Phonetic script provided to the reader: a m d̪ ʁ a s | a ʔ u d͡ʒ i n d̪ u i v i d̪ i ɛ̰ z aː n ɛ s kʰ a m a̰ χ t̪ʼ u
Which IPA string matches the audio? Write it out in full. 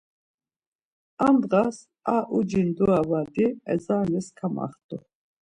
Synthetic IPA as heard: a m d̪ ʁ a s | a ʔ u d͡ʒ i n d̪ u a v a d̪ i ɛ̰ z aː n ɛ s kʰ a m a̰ χ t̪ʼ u